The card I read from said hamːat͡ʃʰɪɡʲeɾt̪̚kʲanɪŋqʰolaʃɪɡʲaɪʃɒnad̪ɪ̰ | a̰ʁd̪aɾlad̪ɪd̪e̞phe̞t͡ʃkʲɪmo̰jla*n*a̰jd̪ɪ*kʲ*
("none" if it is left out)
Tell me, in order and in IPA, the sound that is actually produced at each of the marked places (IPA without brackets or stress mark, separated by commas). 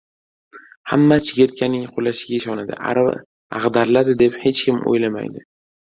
m, none